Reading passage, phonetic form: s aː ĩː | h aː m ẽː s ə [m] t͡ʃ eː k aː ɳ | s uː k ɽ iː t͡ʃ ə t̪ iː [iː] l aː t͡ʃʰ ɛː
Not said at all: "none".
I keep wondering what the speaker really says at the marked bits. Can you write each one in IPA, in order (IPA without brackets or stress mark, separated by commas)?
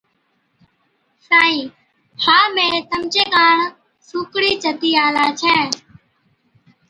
m, aː